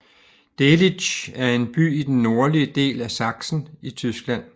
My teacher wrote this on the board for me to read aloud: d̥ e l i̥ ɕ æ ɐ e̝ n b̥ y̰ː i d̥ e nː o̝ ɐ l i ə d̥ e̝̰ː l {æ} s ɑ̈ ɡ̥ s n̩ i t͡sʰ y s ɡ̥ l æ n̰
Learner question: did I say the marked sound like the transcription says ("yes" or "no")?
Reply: yes